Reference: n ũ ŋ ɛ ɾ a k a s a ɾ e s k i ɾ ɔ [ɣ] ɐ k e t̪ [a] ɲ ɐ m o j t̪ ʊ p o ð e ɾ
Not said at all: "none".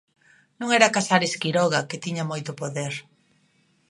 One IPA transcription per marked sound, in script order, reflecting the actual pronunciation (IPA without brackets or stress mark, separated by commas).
ɣ, i